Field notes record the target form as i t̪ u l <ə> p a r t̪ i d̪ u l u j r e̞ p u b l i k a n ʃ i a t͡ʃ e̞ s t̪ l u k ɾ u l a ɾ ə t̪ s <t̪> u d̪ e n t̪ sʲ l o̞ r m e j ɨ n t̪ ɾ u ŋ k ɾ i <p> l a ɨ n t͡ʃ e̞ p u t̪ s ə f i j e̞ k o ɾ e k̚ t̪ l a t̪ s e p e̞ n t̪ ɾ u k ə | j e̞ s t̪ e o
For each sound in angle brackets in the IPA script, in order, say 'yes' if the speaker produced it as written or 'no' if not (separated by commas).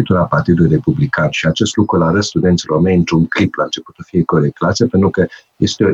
no, yes, yes